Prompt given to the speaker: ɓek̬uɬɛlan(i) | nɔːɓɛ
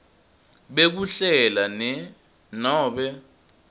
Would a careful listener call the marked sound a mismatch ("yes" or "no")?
yes